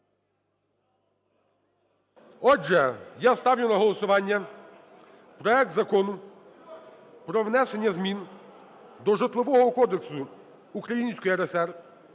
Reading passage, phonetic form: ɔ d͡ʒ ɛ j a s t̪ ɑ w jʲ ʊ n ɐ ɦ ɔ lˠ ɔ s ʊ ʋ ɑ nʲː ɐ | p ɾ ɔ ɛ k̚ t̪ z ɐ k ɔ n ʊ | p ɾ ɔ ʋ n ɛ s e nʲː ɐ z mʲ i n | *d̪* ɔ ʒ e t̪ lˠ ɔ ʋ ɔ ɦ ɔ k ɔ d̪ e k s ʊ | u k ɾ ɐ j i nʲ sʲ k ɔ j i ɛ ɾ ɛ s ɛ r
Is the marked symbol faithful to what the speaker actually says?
yes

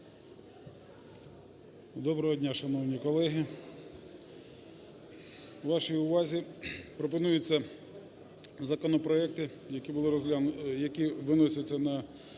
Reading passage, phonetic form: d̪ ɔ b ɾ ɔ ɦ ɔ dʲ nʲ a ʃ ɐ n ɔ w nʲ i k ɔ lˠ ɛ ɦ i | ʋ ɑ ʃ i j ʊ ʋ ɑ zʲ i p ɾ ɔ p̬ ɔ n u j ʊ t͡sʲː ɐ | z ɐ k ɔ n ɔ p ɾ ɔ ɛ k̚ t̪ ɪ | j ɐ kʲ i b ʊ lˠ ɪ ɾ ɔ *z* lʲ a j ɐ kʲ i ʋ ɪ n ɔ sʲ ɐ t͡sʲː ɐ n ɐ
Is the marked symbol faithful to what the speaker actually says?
yes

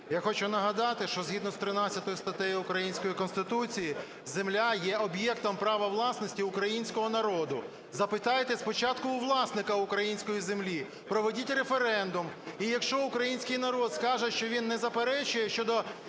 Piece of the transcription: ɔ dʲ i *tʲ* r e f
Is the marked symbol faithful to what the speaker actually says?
yes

